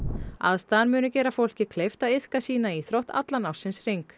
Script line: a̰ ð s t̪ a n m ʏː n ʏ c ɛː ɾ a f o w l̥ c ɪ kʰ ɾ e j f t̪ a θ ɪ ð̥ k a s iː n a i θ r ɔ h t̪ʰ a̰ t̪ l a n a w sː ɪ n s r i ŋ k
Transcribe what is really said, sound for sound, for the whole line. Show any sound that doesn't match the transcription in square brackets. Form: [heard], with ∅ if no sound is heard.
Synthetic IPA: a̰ ð s t̪ a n m ʏː n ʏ c ɛː ɾ a f o w l̥ c ɪ kʰ [l] e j f t̪ a [ð] ɪ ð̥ k a s iː n a i θ [ɾ] ɔ h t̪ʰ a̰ t̪ l a n a w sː ɪ n s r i ŋ k

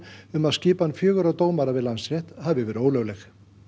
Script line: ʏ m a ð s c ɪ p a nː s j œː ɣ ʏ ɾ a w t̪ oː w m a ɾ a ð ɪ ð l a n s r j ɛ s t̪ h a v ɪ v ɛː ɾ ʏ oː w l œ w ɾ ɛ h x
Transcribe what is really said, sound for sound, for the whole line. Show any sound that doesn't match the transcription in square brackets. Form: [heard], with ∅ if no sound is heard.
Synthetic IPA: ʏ m a ð s c [ɪː] p a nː [f] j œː ɣ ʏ ɾ a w t̪ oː w m a ɾ a [v] ɪ ð l a n s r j ɛ [h] t̪ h a v ɪ v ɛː ɾ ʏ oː w l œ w [l] ɛ [∅] x

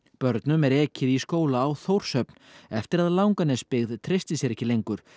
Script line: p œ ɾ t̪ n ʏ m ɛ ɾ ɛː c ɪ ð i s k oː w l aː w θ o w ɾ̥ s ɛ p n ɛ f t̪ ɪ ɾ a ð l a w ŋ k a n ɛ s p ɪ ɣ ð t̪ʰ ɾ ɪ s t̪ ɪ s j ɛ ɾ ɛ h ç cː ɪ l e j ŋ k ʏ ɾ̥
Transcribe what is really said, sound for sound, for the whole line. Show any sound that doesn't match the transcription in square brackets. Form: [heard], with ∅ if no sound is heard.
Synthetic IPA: p œ ɾ t̪ n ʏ m ɛ ɾ ɛː c ɪ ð i s k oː w l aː w θ o w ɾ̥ s [œ] p n ɛ f t̪ ɪ ɾ a ð l a w ŋ k a n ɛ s p ɪ ɣ ð t̪ʰ ɾ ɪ s t̪ ɪ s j ɛ ɾ ɛ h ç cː ɪ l e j ŋ k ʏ ɾ̥

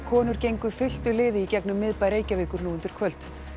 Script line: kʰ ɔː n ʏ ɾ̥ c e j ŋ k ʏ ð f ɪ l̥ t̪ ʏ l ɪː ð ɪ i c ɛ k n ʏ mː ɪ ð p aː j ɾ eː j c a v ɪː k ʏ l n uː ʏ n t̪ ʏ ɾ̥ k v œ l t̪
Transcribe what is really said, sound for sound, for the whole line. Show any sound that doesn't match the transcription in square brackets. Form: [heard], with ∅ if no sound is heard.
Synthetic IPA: kʰ ɔː n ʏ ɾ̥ c e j ŋ k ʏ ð f ɪ l̥ t̪ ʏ l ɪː ð ɪ i c ɛ k n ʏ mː ɪ ð p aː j ɾ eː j c a v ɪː k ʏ [ɾ] n uː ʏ n t̪ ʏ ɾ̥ [kʰ] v œ l t̪

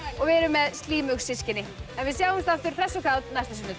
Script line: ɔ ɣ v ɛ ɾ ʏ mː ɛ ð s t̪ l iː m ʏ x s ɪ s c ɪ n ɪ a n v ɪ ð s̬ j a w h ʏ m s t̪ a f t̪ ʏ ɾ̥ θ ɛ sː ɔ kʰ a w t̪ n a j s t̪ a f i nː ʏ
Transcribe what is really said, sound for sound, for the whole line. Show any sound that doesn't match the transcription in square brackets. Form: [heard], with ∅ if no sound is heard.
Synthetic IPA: ɔ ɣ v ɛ ɾ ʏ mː ɛ ð s t̪ l iː m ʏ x s ɪ s c ɪ n ɪ [ɛ] n v ɪ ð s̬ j a w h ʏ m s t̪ a f t̪ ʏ ɾ̥ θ ɛ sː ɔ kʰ a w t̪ n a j s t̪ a [s] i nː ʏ

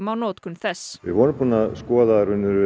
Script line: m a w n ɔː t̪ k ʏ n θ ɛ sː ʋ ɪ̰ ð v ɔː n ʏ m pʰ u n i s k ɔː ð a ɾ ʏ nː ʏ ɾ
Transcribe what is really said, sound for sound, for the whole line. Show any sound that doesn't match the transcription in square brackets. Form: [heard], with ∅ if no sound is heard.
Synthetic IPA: m a w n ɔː t̪ k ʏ n θ ɛ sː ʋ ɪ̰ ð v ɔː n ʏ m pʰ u n [a] s k ɔː ð a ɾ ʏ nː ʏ ɾ

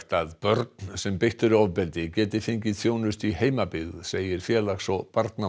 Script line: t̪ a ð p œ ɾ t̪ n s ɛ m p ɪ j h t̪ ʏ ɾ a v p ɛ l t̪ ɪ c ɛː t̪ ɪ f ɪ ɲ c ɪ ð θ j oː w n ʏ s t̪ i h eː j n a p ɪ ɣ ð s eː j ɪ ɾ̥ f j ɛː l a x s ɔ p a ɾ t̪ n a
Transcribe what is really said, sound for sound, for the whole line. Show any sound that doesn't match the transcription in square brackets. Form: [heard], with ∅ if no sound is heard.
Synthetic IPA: t̪ a ð p œ ɾ t̪ n s ɛ m p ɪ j h t̪ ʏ ɾ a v p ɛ l t̪ ɪ c ɛː t̪ ɪ f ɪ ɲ c ɪ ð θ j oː w n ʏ s t̪ i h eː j [m] a p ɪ ɣ ð s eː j ɪ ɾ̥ f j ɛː l a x s ɔ p a ɾ t̪ n a

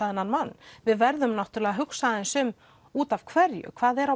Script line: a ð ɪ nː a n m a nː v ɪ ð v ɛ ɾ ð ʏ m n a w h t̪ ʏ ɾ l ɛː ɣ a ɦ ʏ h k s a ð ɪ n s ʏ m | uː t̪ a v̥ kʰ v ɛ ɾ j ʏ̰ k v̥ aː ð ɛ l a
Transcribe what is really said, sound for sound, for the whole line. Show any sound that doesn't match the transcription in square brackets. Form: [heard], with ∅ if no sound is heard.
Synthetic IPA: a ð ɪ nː a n m a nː v ɪ ð v ɛ ɾ ð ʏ m n a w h t̪ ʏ ɾ l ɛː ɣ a ɦ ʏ [∅] k s a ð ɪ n s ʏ m | uː t̪ a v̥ kʰ v ɛ ɾ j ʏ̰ [kʰ] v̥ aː ð ɛ [ɾ] a

